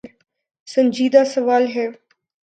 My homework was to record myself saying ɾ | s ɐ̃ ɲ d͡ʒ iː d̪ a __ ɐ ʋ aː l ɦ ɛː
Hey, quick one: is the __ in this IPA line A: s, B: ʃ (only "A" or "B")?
A